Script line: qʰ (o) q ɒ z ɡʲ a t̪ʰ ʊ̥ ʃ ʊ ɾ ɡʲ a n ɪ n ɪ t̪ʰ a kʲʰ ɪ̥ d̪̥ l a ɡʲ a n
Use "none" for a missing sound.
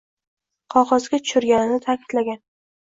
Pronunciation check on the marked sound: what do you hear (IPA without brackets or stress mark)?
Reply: ɒ